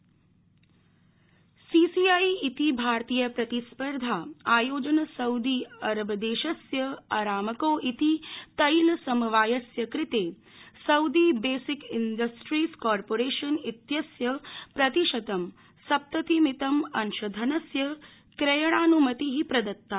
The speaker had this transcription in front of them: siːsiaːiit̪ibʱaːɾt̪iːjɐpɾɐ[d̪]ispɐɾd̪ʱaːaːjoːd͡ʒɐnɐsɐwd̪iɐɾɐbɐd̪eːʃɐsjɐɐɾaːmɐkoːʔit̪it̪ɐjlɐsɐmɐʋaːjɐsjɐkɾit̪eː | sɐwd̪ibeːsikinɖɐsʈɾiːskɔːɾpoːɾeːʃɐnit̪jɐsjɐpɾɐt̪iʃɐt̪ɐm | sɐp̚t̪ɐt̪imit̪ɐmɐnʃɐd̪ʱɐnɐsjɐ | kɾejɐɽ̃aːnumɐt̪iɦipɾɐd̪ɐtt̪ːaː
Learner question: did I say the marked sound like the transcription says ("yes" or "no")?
no